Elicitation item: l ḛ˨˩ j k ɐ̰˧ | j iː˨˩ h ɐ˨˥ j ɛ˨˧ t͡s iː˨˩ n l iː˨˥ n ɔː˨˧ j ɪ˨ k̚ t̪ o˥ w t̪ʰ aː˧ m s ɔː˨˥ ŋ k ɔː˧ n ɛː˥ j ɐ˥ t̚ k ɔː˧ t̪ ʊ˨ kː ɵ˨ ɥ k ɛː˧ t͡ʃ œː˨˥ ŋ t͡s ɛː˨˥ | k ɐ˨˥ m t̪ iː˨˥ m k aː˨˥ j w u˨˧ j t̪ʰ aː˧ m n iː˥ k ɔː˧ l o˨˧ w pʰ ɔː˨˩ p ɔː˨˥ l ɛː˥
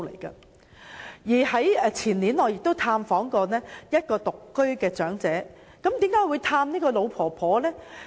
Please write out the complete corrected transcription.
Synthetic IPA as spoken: l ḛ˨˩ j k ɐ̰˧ | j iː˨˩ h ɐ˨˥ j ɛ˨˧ t͡sʰ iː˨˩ n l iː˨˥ n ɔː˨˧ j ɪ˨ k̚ t̪ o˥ w t̪ʰ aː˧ m f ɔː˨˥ ŋ k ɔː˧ n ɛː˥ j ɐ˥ t̚ k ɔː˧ t̪ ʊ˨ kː ɵ˥ ɥ k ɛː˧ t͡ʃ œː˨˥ ŋ t͡s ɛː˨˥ | k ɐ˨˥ m t̪ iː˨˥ m k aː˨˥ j w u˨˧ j t̪ʰ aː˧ m n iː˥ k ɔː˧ l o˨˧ w pʰ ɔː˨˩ pʰ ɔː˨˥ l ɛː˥